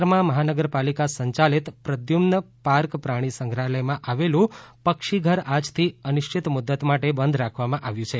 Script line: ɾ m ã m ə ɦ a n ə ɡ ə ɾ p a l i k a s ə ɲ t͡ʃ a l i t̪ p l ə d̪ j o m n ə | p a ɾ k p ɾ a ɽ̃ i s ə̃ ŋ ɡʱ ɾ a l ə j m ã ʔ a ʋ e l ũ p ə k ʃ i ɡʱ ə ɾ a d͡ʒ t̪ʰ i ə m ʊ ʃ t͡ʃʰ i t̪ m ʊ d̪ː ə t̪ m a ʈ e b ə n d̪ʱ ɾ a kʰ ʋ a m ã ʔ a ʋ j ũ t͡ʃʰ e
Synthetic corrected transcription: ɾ m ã m ə ɦ a n ə ɡ ə ɾ p a l i k a s ə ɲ t͡ʃ a l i t̪ p ɾ ə d̪ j u m n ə | p a ɾ k p ɾ a ɽ̃ i s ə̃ ŋ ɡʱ ɾ a l ə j m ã ʔ a ʋ e l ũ p ə k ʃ i ɡʱ ə ɾ a d͡ʒ t̪ʰ i ə n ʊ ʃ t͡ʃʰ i t̪ m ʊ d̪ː ə t̪ m a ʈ e b ə n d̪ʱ ɾ a kʰ ʋ a m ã ʔ a ʋ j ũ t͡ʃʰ e